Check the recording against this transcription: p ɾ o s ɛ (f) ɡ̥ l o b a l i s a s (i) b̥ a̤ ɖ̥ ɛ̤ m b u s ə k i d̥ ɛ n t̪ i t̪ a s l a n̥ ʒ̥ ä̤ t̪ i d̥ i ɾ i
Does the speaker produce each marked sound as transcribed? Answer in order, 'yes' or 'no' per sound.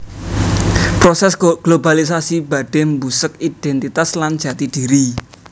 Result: no, yes

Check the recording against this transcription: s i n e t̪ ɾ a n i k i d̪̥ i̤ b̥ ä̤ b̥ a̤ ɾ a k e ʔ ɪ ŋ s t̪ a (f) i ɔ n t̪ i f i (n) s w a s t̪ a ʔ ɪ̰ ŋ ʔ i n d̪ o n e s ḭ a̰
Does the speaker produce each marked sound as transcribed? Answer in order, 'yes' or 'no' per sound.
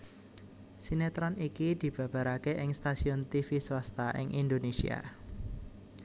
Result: no, no

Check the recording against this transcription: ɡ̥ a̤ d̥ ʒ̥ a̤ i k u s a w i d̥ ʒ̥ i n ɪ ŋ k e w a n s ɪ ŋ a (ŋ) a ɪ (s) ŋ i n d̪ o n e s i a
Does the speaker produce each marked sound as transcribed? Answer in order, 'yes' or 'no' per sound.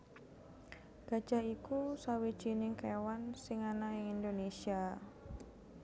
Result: no, no

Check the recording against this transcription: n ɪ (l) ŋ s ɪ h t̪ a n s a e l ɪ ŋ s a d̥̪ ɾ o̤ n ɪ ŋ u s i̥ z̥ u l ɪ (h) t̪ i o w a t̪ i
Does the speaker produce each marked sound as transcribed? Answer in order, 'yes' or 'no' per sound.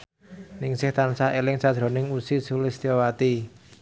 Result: no, no

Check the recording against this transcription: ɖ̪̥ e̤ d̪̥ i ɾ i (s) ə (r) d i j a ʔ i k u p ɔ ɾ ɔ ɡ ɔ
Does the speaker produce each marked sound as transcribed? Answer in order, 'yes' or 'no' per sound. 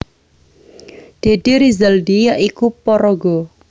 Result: no, no

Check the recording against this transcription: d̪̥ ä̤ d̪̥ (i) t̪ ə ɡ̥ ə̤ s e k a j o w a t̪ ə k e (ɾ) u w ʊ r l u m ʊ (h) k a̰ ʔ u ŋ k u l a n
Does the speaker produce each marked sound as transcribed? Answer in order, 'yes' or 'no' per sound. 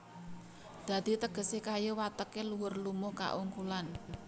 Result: yes, no, yes

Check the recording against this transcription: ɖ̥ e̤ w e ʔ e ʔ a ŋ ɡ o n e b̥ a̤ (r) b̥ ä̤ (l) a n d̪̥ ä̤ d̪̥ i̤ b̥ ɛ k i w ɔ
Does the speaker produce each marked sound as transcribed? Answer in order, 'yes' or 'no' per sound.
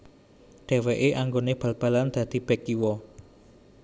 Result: no, yes

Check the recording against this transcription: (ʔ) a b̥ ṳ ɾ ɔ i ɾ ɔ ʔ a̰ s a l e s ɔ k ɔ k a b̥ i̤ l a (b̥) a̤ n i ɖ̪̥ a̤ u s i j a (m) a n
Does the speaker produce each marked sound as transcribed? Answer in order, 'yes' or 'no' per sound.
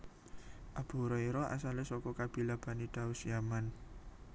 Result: yes, yes, yes

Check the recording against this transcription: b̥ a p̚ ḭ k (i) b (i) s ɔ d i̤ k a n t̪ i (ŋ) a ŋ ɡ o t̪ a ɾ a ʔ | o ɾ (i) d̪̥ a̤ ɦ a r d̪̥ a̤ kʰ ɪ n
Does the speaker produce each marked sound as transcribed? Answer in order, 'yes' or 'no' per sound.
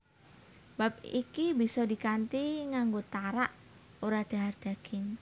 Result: yes, yes, yes, no

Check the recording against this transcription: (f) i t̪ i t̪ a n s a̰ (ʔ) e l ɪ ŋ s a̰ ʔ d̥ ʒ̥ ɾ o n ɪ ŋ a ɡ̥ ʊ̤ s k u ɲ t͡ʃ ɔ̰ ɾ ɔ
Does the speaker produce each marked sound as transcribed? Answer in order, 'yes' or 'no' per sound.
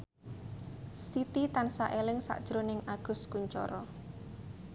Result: no, yes

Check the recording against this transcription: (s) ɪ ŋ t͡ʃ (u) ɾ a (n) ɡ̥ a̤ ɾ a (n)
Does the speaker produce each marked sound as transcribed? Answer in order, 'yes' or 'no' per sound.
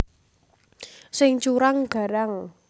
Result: yes, yes, no, no

